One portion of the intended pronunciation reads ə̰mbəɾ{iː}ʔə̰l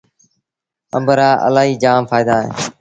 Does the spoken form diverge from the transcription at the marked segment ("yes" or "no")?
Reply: yes